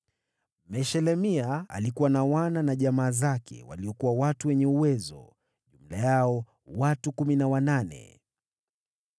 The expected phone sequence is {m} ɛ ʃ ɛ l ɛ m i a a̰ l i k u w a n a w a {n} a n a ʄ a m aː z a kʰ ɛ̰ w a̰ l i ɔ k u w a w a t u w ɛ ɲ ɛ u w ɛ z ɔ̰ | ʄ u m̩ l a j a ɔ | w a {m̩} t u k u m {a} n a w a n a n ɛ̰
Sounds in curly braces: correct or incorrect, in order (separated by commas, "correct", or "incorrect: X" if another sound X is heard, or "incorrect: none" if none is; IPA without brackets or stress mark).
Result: correct, correct, incorrect: none, incorrect: i